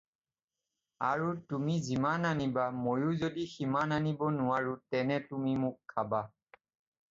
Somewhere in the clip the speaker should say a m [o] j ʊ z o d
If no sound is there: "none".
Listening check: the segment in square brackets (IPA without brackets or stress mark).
o